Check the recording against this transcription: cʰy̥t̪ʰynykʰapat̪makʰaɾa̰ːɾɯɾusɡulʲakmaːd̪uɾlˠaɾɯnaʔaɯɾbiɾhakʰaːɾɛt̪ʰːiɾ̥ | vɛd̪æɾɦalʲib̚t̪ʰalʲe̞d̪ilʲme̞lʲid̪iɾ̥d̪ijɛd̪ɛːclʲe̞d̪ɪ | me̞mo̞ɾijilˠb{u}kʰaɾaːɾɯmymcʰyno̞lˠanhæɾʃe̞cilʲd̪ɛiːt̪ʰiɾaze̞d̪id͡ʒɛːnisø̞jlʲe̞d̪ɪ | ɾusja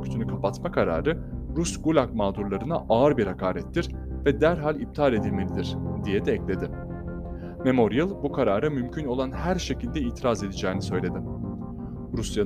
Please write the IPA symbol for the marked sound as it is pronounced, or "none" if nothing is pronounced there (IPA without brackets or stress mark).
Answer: u